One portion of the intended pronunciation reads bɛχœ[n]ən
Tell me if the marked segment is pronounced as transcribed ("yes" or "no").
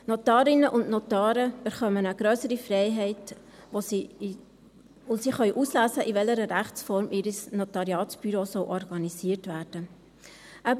no